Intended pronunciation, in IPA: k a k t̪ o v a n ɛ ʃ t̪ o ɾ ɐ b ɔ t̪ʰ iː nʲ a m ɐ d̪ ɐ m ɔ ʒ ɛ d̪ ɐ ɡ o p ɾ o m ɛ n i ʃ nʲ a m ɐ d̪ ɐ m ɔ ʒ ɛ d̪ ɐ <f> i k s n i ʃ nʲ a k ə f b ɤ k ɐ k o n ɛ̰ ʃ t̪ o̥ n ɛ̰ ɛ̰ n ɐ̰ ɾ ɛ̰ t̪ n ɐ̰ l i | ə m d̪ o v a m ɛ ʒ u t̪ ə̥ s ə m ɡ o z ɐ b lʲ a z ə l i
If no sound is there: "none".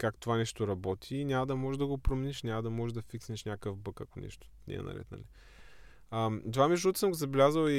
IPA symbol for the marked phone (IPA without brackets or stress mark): f